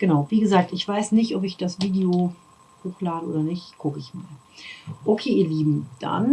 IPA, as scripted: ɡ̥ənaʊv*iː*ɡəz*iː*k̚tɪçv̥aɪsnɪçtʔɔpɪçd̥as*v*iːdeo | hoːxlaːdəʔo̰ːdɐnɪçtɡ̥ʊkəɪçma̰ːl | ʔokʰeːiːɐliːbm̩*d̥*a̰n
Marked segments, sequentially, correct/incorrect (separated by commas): correct, incorrect, correct, correct